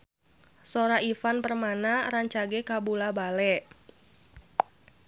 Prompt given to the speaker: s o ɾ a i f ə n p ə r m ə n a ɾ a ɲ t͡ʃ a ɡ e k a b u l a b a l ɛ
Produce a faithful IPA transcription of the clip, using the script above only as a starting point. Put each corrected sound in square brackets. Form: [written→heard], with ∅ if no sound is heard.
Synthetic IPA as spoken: s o ɾ a i f [ə→a] n p ə r m [ə→a] n a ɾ a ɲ t͡ʃ a ɡ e k a b u l a b a l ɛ